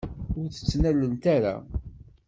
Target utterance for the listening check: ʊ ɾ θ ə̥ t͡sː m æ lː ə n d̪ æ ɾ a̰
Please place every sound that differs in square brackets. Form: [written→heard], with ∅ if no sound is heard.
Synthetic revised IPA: ʊ ɾ θ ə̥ t͡sː [m→n] æ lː ə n [d̪→t̪] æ ɾ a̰